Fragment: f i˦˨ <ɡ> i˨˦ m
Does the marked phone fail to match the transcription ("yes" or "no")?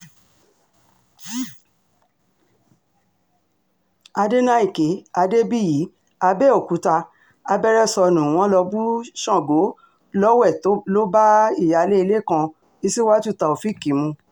yes